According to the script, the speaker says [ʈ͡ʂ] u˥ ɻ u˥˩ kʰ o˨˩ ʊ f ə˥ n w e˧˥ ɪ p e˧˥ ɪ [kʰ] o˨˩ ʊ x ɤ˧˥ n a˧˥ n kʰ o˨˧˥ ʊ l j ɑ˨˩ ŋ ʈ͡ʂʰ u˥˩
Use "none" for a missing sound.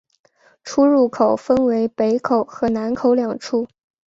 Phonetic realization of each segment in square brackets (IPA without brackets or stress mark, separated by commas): ʈ͡ʂʰ, kʰ